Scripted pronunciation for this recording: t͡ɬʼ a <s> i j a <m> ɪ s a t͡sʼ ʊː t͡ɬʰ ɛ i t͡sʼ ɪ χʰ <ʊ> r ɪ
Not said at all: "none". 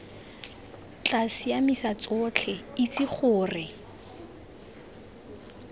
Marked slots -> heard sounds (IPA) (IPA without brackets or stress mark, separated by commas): s, m, ʊː